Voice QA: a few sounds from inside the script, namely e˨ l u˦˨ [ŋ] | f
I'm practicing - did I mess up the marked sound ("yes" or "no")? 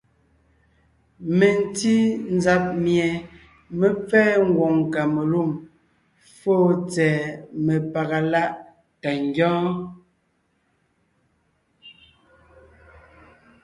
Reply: yes